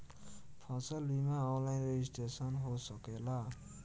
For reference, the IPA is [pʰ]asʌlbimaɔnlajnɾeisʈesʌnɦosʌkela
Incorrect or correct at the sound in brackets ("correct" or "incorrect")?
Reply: correct